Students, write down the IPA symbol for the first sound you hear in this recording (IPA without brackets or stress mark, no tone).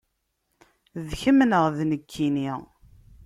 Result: ð